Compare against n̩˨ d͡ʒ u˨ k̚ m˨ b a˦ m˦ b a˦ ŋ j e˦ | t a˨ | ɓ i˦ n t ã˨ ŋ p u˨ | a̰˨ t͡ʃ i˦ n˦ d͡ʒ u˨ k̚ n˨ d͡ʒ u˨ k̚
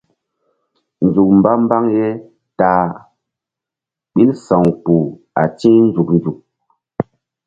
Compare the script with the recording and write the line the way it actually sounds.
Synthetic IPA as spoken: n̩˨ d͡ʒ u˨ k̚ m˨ b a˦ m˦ b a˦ ŋ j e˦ | t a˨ | ɓ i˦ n s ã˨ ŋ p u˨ | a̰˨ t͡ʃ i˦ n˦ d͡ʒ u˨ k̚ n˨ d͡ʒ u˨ k̚